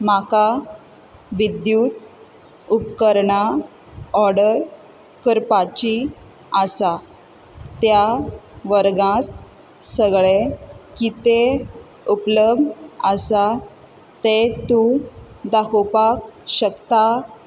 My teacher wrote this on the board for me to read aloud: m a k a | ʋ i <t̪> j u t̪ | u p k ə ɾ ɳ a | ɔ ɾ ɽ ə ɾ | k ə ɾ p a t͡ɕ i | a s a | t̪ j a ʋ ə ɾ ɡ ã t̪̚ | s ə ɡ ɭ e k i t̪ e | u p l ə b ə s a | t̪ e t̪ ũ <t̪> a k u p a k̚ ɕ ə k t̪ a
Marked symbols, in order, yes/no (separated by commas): no, no